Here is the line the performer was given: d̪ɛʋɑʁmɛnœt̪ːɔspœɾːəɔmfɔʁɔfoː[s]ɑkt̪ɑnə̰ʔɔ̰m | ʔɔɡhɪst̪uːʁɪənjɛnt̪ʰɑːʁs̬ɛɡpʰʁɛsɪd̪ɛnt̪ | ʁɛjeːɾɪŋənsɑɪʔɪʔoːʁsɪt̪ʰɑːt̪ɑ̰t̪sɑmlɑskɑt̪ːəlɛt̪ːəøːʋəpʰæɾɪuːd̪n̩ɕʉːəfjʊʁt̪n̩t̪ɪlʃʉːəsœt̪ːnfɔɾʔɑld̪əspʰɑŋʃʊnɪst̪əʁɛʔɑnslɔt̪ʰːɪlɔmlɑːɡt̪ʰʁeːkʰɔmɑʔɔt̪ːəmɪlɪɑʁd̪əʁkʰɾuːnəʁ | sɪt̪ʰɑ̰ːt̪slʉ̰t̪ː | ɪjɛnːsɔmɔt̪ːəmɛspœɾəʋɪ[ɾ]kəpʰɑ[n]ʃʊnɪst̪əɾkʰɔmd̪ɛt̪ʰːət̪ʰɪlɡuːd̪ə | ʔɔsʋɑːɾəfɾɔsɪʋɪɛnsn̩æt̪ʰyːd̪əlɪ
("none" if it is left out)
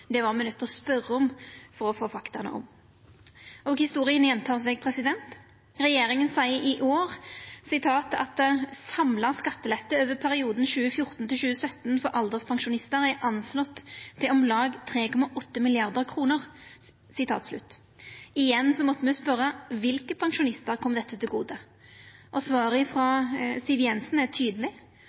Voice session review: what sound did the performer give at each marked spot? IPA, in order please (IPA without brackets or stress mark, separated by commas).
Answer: f, l, ŋ